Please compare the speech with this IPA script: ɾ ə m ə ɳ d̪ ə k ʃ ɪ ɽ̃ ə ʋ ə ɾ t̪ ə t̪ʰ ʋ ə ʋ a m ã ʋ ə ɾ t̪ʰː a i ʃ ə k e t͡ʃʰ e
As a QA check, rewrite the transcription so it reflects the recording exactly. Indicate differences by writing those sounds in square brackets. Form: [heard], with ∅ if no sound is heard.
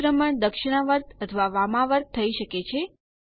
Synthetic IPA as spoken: ɾ ə m ə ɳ d̪ ə k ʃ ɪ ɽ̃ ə ʋ ə ɾ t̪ ə t̪ʰ ʋ [a] ʋ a m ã ʋ ə ɾ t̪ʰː [ə] i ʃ ə k e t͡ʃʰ e